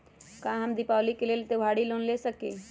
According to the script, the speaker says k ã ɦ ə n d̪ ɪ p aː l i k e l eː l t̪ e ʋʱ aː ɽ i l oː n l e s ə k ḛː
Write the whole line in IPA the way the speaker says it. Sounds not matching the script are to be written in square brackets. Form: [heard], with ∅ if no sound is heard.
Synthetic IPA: k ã ɦ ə [m] d̪ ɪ p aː l i k e l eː l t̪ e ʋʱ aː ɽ i l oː n l e s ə k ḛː